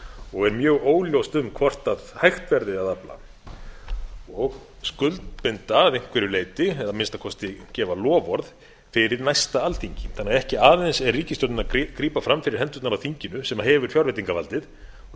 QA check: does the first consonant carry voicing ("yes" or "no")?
yes